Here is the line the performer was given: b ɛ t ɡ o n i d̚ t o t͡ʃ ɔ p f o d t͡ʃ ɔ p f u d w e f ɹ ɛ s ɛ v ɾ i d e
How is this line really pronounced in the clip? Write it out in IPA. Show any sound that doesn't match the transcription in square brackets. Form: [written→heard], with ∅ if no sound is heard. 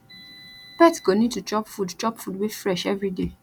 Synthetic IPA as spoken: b ɛ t ɡ o n i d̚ t [o→u] t͡ʃ ɔ p f [o→u] d t͡ʃ ɔ p f u d w e f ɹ ɛ [s→ʃ] ɛ v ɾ i d e